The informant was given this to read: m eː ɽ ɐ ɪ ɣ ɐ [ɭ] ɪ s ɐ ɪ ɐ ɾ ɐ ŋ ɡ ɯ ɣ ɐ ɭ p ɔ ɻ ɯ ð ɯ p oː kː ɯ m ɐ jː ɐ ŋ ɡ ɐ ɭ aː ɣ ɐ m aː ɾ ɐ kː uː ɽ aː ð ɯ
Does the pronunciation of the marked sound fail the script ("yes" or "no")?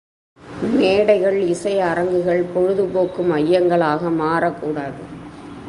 no